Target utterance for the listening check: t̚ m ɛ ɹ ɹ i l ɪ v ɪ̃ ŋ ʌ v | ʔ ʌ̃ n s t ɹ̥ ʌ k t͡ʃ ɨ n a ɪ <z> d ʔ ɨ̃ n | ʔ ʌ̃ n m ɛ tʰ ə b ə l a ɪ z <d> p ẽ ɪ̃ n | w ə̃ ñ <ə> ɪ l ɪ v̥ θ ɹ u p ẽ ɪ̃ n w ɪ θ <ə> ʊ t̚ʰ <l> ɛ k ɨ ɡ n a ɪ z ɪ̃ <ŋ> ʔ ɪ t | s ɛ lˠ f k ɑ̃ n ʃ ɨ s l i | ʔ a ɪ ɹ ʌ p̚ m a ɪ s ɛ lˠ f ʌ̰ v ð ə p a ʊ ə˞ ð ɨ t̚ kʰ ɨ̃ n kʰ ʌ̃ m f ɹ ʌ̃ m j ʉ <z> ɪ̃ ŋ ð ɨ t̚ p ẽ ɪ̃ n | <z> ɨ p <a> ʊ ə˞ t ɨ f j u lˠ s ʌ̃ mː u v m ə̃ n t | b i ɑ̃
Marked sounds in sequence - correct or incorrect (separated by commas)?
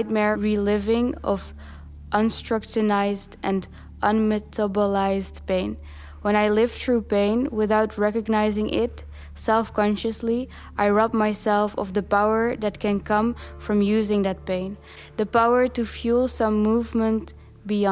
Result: correct, correct, incorrect, incorrect, incorrect, correct, correct, incorrect, correct